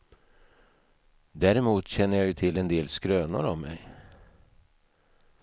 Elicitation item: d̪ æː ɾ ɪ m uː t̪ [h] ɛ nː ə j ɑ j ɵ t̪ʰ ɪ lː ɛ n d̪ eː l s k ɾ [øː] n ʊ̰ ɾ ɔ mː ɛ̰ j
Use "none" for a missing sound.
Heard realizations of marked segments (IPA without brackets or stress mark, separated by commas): ɕ, øː